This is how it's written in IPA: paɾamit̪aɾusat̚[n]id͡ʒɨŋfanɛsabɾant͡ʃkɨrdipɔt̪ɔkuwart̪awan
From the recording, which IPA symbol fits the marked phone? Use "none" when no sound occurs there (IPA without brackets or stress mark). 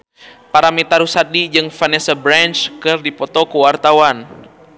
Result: d